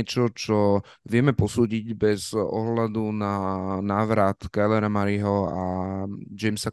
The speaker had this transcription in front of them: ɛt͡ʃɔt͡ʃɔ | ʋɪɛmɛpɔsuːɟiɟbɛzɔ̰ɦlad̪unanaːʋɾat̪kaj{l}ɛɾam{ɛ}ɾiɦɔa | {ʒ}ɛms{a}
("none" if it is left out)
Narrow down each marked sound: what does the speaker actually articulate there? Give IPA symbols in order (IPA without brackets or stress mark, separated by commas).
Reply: l, a, d͡ʒ, a